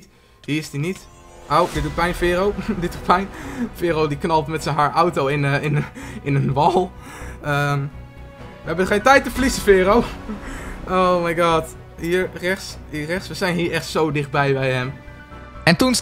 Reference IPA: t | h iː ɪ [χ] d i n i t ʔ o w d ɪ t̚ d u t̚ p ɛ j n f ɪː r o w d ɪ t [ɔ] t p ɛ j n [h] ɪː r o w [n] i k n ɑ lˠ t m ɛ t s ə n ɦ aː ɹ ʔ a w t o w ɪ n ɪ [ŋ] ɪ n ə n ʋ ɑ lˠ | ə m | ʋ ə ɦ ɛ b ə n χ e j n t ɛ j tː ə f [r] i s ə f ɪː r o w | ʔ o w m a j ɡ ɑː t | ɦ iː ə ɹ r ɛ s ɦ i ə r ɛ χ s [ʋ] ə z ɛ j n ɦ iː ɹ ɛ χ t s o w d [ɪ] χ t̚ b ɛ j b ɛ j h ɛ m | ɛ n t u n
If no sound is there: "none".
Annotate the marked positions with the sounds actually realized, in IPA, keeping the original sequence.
s, u, f, d, n, l, ʋ, ɪ

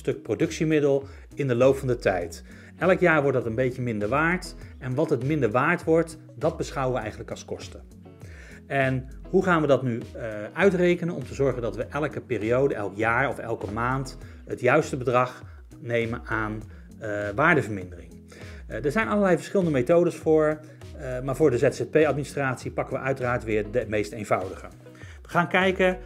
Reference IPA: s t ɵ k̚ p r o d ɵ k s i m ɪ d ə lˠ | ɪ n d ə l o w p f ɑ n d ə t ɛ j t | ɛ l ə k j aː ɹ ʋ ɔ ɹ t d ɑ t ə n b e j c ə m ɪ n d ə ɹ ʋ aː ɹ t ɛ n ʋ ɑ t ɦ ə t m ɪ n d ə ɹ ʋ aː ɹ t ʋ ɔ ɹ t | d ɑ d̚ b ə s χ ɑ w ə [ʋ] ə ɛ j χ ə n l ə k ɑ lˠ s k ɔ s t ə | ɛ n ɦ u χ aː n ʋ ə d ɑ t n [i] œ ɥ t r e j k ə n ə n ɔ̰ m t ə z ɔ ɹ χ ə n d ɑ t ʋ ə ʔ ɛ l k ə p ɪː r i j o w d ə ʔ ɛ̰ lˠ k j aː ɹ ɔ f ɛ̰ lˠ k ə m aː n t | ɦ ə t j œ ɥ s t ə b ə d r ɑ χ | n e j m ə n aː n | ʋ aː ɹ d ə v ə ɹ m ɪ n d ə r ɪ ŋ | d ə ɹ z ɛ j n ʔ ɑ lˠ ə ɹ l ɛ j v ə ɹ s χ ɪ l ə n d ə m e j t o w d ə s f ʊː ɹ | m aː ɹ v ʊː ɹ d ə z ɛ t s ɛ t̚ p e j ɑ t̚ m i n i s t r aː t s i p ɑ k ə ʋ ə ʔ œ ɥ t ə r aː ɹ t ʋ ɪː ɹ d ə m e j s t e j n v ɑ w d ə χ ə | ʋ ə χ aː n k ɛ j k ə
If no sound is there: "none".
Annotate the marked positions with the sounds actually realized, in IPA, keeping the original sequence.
ʋ, y

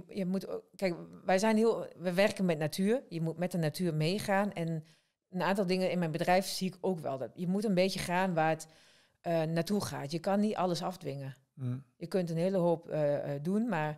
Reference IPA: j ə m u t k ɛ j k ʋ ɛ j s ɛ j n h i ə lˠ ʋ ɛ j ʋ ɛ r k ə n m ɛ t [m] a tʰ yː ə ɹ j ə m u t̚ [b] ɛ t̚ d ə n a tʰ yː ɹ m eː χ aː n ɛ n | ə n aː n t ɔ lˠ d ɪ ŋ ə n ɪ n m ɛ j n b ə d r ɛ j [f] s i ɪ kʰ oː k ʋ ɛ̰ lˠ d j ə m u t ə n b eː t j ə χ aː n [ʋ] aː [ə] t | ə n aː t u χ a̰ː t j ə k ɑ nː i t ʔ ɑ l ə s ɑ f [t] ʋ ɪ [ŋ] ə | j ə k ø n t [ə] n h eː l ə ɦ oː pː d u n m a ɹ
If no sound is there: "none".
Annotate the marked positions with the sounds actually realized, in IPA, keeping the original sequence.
n, m, f, ʋ, ə, d, ŋ, ə

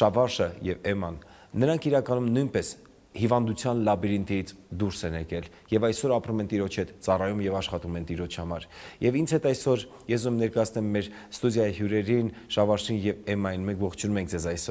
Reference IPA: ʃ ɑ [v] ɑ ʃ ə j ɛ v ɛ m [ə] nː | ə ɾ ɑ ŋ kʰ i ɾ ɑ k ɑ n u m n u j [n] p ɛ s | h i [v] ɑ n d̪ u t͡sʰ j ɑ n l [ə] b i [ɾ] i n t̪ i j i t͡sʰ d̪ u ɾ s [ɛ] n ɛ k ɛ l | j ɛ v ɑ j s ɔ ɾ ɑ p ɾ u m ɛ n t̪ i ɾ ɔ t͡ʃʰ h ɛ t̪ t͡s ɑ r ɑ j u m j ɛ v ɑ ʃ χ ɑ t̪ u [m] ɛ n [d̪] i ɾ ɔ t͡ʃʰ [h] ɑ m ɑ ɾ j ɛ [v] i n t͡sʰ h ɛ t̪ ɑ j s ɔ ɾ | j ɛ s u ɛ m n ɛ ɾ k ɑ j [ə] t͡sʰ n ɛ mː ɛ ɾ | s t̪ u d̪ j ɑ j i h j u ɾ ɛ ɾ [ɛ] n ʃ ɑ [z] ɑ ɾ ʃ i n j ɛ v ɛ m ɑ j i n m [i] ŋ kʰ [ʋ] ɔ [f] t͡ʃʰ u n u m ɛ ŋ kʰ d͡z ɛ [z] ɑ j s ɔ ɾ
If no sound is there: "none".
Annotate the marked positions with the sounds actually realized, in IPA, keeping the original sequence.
v, ɑ, n, v, ɑ, ɾ, ɛ, m, t̪, h, v, ɑ, i, v, ɛ, v, χ, z

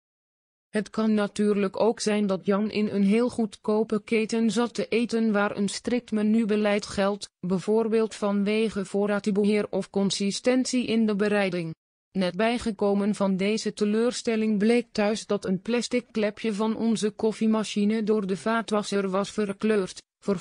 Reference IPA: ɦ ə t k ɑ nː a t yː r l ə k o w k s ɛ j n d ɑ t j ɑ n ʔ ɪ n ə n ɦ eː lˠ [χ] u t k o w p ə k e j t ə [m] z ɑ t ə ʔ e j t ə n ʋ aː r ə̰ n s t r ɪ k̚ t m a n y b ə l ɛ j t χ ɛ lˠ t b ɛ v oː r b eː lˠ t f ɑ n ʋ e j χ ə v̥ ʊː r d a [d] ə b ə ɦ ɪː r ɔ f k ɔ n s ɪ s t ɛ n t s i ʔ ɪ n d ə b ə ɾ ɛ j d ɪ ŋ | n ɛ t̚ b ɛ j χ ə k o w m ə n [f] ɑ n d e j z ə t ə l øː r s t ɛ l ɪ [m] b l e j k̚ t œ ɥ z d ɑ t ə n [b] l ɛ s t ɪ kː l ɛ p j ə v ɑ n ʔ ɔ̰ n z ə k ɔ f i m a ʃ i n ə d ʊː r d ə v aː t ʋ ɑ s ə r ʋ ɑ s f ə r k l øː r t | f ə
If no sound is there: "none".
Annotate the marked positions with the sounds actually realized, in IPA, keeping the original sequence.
χ, n, t, v, ŋ, p

